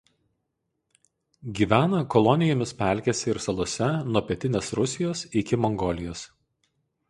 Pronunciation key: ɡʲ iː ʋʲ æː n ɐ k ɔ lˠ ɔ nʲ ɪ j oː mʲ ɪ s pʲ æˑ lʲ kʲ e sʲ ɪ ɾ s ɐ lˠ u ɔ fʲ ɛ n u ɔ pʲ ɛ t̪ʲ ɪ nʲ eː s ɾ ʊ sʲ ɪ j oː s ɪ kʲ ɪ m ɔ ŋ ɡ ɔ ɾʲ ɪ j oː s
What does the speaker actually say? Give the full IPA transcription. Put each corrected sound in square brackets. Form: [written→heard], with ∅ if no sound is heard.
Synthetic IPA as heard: ɡʲ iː ʋʲ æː n ɐ k ɔ lˠ ɔ nʲ ɪ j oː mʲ ɪ s pʲ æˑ lʲ kʲ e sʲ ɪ ɾ s ɐ lˠ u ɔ [fʲ→sʲ] ɛ n u ɔ pʲ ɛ t̪ʲ ɪ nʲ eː s ɾ ʊ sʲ ɪ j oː s ɪ kʲ ɪ m ɔ ŋ ɡ ɔ [ɾʲ→lʲ] ɪ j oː s